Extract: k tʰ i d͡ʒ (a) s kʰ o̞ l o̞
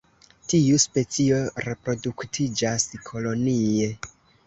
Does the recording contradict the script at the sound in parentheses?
no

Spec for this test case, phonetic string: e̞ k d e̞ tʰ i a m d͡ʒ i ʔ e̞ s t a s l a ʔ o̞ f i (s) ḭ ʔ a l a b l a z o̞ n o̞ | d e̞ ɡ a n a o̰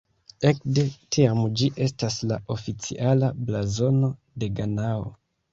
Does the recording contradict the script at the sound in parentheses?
yes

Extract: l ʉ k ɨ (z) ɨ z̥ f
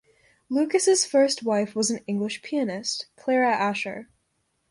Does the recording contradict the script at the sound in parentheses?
yes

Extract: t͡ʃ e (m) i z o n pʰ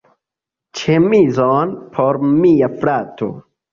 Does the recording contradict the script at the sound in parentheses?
no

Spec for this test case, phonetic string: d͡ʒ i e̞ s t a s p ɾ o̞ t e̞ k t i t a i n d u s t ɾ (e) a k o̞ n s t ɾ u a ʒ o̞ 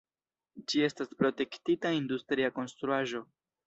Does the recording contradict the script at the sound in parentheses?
yes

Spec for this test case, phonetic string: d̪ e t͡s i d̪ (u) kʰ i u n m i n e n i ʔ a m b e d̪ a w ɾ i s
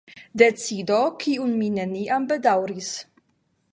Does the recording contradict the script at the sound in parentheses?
yes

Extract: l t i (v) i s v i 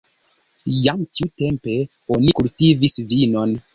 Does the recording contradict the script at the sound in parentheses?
no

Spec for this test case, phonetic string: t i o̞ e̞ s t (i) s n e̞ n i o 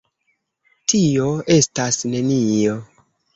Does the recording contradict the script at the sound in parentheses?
yes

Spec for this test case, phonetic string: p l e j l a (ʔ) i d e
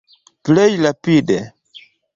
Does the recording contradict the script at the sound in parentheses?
yes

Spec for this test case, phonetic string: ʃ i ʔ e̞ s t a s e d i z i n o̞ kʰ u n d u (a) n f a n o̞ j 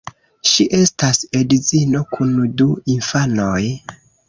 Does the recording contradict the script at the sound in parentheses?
yes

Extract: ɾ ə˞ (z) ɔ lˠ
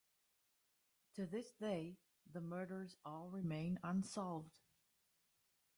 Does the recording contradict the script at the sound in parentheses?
no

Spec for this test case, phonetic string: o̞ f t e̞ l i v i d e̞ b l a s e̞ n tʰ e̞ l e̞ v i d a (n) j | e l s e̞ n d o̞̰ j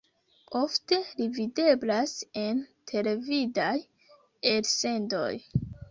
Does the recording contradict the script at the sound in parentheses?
yes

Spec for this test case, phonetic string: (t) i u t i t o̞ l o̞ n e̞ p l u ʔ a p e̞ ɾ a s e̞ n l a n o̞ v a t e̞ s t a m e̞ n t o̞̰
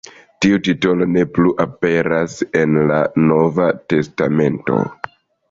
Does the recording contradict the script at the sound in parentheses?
no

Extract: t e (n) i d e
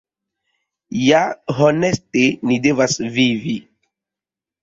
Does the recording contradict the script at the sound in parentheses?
no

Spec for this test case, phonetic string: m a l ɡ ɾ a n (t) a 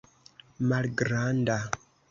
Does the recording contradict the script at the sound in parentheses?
yes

